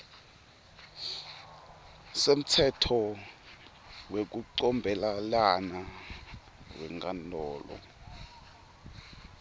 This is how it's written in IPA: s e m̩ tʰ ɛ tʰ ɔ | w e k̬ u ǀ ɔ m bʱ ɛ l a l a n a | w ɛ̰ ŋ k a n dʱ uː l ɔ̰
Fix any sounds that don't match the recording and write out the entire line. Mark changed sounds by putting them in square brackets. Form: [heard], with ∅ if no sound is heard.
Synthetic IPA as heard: s e m̩ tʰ ɛ tʰ ɔ | w e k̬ u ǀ ɔ m bʱ ɛ l a l a n a | w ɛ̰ ŋ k a n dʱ [ɔː] l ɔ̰